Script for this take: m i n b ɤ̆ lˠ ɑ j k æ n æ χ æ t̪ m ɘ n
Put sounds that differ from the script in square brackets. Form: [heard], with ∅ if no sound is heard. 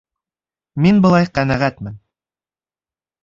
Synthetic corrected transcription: m i n b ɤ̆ lˠ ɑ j [q] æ n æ [ʁ] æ t̪ m ɘ n